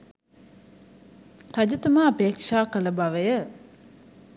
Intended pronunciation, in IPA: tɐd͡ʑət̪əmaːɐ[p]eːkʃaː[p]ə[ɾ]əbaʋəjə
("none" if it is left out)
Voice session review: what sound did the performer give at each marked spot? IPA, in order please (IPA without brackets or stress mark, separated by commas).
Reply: p, k, l